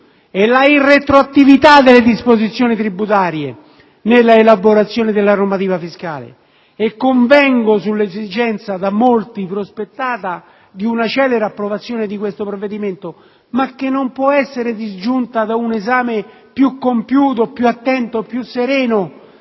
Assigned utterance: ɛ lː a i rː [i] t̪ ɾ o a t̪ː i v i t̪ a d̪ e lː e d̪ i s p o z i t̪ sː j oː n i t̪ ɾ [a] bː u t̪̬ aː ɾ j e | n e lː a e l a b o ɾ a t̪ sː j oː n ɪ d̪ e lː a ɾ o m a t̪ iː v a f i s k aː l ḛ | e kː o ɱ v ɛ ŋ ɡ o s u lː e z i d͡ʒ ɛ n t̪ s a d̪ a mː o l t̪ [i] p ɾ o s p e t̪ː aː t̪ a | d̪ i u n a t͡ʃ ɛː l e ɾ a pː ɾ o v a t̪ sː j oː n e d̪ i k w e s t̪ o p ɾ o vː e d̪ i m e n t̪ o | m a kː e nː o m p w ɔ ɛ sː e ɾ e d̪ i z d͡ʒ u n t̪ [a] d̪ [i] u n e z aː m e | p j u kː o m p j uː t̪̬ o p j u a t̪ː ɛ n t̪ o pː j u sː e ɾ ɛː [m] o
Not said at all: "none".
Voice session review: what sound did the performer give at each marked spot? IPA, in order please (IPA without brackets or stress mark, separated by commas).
e, i, i, a, a, n